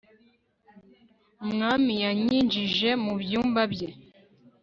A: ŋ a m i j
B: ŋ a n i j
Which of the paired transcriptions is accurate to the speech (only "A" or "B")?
A